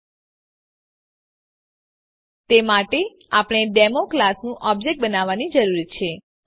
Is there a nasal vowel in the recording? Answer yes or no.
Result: yes